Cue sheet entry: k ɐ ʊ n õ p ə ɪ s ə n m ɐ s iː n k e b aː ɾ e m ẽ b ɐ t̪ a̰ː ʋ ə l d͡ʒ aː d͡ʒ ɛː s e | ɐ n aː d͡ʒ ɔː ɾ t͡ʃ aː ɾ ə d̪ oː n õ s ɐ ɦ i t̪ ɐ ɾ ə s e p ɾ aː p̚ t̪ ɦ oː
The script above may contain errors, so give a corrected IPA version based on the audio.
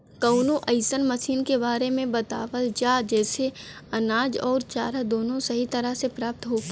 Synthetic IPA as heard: k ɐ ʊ n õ ʔ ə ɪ s ə n m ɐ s iː n k e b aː ɾ e m ẽ b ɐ t̪ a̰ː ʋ ə l d͡ʒ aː d͡ʒ ɛː s e | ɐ n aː d͡ʒ ɔː ɾ t͡ʃ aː ɾ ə d̪ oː n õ s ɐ ɦ i t̪ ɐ ɾ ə s e p ɾ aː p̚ t̪ ɦ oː